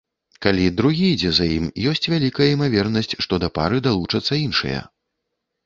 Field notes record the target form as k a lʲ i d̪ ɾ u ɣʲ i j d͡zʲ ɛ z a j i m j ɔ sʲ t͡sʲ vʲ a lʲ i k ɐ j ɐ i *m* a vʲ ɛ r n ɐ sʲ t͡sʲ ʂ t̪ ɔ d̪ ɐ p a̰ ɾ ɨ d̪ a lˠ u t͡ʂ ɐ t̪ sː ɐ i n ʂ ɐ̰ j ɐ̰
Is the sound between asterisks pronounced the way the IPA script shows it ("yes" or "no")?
yes